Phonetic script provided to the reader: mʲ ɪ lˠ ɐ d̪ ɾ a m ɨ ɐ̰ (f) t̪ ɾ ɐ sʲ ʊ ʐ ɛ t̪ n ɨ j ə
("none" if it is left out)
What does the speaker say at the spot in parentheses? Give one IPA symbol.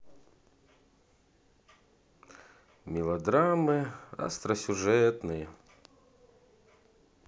s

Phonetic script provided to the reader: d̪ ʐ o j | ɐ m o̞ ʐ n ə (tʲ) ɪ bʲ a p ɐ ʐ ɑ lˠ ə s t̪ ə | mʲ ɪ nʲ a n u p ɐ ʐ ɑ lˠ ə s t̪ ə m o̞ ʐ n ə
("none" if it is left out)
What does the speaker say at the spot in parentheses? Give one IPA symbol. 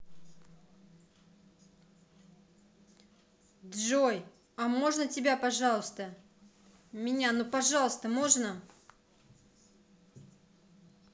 tʲ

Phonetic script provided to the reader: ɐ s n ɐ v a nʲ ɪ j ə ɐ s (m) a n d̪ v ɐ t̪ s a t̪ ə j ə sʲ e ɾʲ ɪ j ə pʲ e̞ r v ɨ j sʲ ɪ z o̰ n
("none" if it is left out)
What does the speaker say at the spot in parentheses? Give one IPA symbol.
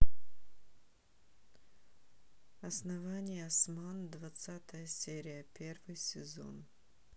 m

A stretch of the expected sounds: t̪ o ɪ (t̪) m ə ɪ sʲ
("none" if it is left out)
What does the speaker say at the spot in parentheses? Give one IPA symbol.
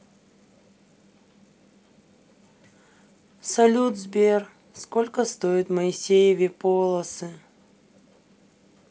t̪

